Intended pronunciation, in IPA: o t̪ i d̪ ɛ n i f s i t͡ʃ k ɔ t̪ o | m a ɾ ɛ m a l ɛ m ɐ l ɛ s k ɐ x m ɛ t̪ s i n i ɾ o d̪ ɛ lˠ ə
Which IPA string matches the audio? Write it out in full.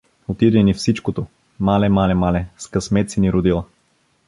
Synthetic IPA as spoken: o t̪ i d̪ ɛ n i f s i t͡ʃ k o t̪ o | m a l ɛ m a l ɛ m a l ɛ s k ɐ s m ɛ t̪ s i n i ɾ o d̪ i lˠ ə